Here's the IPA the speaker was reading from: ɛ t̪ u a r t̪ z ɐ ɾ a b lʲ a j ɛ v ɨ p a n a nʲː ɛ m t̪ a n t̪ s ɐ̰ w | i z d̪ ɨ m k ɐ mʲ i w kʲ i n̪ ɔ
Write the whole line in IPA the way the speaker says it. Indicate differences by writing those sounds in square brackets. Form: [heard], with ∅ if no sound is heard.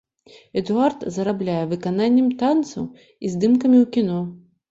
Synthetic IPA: ɛ [d̪] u a r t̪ z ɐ ɾ a b lʲ a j ɛ v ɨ [k] a n a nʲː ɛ m t̪ a n t̪ s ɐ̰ w | i z d̪ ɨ m k ɐ mʲ i w kʲ i n̪ ɔ